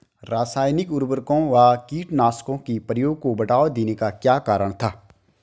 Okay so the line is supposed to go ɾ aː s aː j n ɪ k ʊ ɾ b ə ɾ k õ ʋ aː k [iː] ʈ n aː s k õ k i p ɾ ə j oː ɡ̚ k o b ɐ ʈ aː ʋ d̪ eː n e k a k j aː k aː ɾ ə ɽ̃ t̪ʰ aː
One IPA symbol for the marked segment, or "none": iː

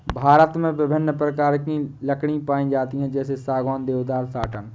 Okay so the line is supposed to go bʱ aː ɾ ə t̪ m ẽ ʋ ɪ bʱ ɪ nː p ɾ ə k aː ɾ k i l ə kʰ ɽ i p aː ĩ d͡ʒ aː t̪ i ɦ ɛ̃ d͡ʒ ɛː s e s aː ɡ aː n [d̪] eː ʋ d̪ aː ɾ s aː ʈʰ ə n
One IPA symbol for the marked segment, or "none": d̪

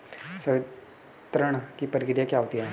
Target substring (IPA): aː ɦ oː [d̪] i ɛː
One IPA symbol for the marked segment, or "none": t̪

